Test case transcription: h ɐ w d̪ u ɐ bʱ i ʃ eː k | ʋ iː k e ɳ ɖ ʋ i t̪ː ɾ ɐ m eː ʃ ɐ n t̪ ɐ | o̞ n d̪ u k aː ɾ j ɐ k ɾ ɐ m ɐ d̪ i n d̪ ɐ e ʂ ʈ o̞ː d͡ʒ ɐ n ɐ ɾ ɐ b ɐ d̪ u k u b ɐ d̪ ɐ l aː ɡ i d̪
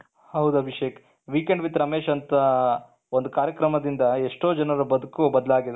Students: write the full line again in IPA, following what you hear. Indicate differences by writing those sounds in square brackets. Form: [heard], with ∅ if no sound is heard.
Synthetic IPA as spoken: h ɐ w d̪ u ɐ bʱ i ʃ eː k | ʋ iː k e ɳ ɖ ʋ i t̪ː ɾ ɐ m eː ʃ ɐ n t̪ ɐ | o̞ n d̪ u k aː ɾ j ɐ k ɾ ɐ m ɐ d̪ i n d̪ ɐ e ʂ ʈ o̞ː d͡ʒ ɐ n ɐ ɾ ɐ b ɐ d̪ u k u b ɐ d̪ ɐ l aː ɡ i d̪

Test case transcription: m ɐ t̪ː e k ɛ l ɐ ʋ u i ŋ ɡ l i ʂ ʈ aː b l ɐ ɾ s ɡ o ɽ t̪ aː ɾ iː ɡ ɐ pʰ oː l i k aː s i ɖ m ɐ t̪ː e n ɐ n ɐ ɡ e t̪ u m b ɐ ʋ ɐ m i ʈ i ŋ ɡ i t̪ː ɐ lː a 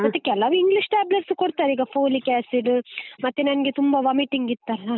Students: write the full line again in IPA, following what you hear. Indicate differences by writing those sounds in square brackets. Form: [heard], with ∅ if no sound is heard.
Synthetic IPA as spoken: m ɐ t̪ː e k ɛ l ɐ ʋ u i ŋ ɡ l i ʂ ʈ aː b l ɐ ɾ s [k] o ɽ t̪ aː ɾ iː ɡ ɐ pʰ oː l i k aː s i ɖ m ɐ t̪ː e n ɐ n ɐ ɡ e t̪ u m b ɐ ʋ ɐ m i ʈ i ŋ ɡ i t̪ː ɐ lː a

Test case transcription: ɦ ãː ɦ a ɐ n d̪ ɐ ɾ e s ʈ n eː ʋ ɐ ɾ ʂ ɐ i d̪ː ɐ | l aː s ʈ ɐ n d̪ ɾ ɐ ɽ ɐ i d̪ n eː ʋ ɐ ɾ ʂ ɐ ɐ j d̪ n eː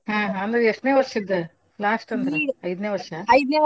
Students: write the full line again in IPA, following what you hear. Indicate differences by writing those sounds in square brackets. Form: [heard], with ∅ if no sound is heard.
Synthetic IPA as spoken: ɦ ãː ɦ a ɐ n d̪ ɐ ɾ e [ʂ] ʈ n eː ʋ ɐ ɾ ʂ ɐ i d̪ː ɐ | l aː s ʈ ɐ n d̪ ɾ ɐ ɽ ɐ [j] d̪ n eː ʋ ɐ ɾ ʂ ɐ ɐ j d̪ n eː

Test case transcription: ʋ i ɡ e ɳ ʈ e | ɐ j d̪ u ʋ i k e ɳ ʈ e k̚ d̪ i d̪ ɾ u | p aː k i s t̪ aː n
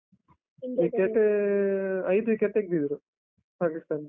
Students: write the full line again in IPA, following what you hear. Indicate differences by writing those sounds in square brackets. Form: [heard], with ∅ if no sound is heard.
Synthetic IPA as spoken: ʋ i [k] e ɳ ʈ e | ɐ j d̪ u ʋ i k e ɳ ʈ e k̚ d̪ i d̪ ɾ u | p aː k i s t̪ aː n

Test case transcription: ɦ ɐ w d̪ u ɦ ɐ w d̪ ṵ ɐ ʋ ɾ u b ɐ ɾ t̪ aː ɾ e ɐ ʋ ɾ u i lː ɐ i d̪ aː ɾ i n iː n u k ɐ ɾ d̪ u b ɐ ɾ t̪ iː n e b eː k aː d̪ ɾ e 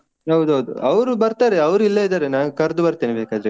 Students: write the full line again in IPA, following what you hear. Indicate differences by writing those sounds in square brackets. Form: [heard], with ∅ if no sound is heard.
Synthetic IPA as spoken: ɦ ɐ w d̪ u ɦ ɐ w d̪ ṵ ɐ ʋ ɾ u b ɐ ɾ t̪ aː ɾ e ɐ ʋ ɾ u i lː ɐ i d̪ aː ɾ [e] n [aː] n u k ɐ ɾ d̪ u b ɐ ɾ t̪ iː n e b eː k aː d̪ ɾ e

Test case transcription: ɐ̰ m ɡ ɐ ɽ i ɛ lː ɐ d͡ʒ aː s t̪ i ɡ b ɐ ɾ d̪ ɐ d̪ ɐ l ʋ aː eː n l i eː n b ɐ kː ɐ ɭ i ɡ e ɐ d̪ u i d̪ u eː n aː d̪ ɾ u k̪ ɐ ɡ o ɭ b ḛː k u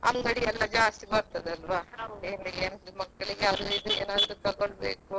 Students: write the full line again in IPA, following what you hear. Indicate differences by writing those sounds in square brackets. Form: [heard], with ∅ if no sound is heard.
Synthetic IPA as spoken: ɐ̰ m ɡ ɐ ɽ i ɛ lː ɐ d͡ʒ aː s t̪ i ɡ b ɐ ɾ [t̪] ɐ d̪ ɐ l ʋ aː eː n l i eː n [m] ɐ kː ɐ ɭ i ɡ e ɐ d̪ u i d̪ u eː n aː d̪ ɾ u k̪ ɐ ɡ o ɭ b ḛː k u

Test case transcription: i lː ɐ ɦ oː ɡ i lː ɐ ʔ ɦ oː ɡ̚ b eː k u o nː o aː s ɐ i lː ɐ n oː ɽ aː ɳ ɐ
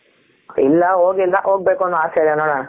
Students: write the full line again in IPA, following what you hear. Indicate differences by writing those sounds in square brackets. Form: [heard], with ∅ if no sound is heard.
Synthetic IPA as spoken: i lː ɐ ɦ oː ɡ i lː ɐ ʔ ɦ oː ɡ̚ b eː k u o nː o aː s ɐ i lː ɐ n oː ɽ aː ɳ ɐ

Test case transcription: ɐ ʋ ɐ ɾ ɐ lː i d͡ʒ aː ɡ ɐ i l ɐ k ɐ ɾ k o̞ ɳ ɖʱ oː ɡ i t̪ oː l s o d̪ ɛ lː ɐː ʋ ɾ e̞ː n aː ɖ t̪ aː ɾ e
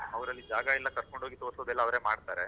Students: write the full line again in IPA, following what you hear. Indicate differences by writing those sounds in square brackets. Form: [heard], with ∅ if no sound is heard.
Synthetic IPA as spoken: ɐ ʋ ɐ ɾ ɐ lː i d͡ʒ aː ɡ ɐ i [lː] ɐ k ɐ ɾ k o̞ ɳ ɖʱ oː ɡ i t̪ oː [ɾ] s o d̪ ɛ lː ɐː ʋ ɾ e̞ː [m] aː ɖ t̪ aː ɾ e

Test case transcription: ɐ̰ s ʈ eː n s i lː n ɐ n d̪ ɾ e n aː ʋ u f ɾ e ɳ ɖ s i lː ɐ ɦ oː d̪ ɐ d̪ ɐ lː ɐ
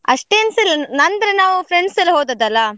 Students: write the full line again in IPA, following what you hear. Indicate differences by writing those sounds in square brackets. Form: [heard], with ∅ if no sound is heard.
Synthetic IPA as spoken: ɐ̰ [ʂ] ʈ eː n s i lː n ɐ n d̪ ɾ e n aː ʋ u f ɾ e ɳ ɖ s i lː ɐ ɦ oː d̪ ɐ d̪ ɐ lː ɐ

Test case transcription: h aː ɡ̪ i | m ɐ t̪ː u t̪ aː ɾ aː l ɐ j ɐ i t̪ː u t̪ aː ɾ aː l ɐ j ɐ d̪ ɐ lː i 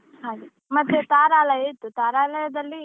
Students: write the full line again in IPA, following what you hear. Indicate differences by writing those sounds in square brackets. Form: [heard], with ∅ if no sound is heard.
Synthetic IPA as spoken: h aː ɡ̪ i | m ɐ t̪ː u t̪ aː ɾ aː l ɐ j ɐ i t̪ː u t̪ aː ɾ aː l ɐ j ɐ d̪ ɐ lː i

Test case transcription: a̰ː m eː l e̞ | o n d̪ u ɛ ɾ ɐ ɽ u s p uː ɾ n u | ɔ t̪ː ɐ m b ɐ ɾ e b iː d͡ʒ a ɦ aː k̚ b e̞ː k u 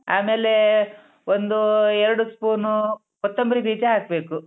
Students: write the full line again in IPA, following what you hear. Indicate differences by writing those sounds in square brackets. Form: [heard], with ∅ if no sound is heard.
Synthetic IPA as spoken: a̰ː m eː l e̞ | o n d̪ u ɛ ɾ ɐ ɽ u s p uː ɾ n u | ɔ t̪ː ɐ m b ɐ ɾ [i] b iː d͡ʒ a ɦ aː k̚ b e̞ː k u

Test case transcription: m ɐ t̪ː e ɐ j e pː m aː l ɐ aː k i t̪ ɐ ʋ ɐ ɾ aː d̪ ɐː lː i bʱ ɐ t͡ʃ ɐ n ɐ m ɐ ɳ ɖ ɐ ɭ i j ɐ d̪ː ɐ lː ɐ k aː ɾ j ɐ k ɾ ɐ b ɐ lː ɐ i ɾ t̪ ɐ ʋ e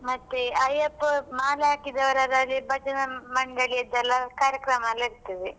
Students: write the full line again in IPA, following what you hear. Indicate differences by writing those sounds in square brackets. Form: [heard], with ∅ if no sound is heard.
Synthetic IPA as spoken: m ɐ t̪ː e ɐ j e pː m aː l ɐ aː k i [d̪] ɐ ʋ ɐ ɾ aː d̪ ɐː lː i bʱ ɐ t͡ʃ ɐ n ɐ m ɐ ɳ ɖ ɐ ɭ i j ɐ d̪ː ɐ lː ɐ k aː ɾ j ɐ k ɾ ɐ [m] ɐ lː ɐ i ɾ t̪ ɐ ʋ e

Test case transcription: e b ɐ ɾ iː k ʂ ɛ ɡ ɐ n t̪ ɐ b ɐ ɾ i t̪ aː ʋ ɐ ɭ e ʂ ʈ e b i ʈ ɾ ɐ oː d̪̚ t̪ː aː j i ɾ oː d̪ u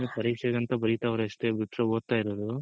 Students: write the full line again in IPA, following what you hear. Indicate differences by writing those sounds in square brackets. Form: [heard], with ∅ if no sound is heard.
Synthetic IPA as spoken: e [p] ɐ ɾ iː k ʂ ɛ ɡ ɐ n t̪ ɐ b ɐ ɾ i t̪ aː ʋ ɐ [ɾ] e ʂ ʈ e b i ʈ ɾ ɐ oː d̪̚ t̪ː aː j i ɾ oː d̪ u

